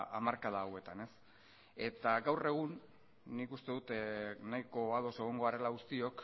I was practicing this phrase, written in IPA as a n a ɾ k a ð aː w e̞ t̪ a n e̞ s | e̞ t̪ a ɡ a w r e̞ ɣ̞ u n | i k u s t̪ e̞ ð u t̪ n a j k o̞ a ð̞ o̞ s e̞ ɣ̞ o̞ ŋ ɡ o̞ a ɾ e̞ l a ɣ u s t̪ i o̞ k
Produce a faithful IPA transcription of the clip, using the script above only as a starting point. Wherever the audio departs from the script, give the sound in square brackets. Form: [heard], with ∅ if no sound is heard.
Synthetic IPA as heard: a [m] a ɾ k a ð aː w e̞ t̪ a n e̞ s | e̞ t̪ a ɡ a w r e̞ ɣ̞ u [nː] | i k u s t̪ e̞ ð u t̪ n a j k o̞ a ð̞ o̞ s e̞ ɣ̞ o̞ ŋ ɡ o̞ a ɾ e̞ l a ɣ u s t̪ i o̞ k